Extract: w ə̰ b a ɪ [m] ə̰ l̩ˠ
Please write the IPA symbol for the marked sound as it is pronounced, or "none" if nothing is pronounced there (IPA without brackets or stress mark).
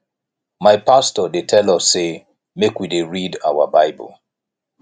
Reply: b